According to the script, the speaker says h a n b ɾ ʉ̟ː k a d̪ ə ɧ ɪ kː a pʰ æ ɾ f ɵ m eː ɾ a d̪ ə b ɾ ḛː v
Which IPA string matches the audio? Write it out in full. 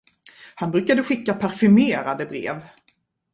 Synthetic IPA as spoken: h a n b ɾ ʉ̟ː k a d̪ ə ɧ ɪ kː a pʰ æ ɾ f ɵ m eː ɾ a d̪ ə b ɾ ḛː v